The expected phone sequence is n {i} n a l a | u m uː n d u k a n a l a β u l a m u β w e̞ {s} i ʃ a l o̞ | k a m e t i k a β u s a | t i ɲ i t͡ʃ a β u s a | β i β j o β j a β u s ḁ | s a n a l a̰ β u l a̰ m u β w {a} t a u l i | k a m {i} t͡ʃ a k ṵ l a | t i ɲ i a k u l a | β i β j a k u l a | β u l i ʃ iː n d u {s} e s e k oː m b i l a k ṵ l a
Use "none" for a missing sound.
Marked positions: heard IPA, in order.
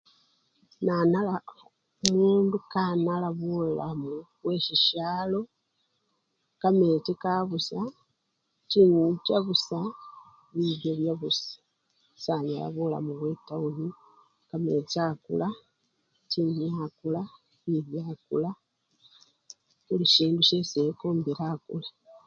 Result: a, ʃ, e, e, ʃ

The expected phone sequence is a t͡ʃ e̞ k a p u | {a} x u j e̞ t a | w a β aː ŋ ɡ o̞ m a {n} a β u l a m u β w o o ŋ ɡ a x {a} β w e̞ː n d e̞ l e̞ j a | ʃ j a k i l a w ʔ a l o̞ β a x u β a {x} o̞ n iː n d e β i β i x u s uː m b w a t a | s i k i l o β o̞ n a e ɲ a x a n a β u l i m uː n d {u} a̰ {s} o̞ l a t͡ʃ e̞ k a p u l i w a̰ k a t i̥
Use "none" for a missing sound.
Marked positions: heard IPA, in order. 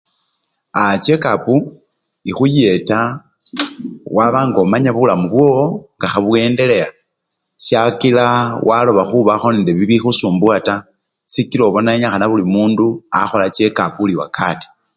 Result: i, ɲ, a, x, u, x

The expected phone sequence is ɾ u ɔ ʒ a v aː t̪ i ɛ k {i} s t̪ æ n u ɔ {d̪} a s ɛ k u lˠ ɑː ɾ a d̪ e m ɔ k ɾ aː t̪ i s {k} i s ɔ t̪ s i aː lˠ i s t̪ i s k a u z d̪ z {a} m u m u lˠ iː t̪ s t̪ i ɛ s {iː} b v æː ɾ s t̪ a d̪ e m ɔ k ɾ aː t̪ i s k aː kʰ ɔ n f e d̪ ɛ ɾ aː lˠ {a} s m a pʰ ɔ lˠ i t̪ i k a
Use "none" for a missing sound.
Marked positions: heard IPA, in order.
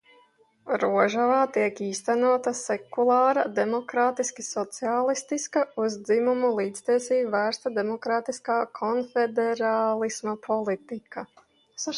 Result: iː, t̪, k, i, iː, i

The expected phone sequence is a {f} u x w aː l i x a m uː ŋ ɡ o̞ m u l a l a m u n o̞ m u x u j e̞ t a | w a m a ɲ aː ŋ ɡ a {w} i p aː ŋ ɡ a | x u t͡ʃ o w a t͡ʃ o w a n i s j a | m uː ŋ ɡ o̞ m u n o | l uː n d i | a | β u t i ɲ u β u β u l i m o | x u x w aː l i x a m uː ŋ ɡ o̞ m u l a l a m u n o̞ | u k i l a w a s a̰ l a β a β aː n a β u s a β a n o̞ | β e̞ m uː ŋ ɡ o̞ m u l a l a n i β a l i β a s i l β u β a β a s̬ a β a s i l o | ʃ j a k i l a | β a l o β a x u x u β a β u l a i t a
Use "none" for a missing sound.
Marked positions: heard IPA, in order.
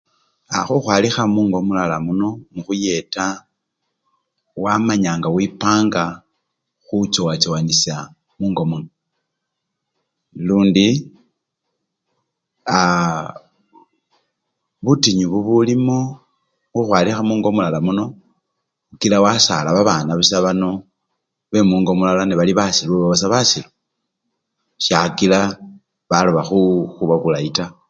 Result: x, w

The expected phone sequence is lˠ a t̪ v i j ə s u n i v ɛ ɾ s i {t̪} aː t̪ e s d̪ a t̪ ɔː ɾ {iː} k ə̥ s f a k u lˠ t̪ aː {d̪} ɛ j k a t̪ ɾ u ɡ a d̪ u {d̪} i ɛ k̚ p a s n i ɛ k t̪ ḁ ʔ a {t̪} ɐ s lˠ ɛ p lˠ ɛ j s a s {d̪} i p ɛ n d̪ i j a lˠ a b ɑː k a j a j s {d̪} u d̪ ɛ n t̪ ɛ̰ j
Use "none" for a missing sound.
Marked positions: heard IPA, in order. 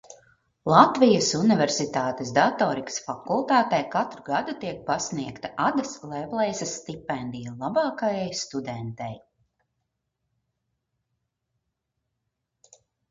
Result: t̪, i, t̪, t̪, d̪, t̪, t̪

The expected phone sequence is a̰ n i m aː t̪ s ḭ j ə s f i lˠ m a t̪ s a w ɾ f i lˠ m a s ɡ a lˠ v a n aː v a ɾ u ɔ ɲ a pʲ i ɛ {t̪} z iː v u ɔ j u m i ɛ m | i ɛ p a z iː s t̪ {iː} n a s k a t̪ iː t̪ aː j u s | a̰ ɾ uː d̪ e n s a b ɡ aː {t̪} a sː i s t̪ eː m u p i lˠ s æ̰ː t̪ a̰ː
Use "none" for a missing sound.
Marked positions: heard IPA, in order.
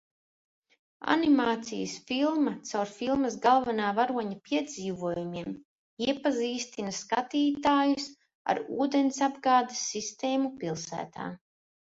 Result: d̪, i, d̪

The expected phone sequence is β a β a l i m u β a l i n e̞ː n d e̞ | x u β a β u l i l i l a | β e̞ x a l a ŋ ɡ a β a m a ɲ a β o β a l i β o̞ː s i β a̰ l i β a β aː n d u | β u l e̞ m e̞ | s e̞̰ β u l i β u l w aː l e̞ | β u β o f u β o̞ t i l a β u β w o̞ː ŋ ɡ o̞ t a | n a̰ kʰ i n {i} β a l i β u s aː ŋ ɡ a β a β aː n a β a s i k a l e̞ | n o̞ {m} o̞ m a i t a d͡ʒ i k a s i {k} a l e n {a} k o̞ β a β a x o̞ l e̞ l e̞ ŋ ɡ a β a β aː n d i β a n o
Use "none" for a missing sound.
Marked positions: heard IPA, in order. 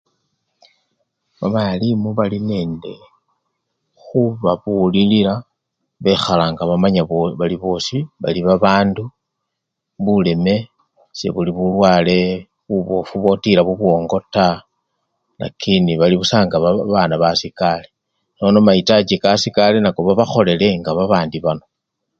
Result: i, n, k, a

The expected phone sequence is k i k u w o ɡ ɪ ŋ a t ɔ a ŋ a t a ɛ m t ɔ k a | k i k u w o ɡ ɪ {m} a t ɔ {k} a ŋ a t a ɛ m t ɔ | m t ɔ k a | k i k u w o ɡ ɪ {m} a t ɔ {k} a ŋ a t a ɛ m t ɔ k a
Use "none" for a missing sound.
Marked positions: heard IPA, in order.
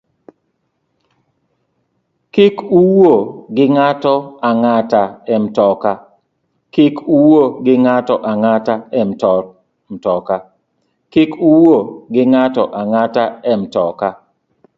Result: ŋ, ʔ, ŋ, ʔ

